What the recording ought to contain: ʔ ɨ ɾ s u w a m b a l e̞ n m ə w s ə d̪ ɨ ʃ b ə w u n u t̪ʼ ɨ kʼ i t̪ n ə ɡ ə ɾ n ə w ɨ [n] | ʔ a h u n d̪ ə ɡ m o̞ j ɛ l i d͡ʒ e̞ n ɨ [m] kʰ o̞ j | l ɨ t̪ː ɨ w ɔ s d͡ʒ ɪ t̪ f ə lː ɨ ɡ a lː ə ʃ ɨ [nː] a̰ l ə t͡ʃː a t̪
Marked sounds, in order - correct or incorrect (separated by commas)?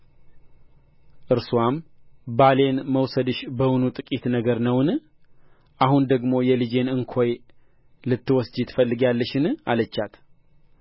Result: correct, incorrect, incorrect